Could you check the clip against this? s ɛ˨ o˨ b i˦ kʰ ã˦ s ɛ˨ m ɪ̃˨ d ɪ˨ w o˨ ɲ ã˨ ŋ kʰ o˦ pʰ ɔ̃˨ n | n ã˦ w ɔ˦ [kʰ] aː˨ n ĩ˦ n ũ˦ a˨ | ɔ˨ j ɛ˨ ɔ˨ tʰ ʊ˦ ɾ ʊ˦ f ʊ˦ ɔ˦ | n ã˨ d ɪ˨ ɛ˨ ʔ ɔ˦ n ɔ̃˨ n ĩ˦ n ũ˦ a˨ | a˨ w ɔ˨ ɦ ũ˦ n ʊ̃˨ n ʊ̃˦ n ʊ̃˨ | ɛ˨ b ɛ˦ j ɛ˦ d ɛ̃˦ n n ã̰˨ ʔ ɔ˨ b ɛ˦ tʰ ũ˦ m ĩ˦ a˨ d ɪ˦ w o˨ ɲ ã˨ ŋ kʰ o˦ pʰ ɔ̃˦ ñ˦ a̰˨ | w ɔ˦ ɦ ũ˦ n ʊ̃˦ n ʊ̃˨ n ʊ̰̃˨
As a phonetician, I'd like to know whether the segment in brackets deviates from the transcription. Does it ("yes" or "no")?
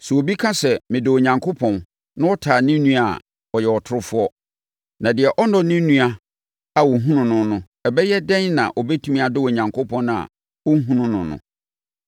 yes